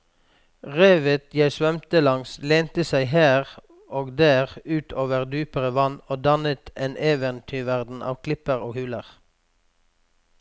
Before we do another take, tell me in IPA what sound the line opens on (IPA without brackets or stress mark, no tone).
ʁ